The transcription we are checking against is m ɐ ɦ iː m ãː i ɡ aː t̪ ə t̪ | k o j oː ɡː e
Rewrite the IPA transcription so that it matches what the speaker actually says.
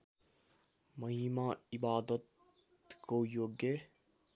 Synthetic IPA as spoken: m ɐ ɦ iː m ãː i b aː d̪ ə t̪ | k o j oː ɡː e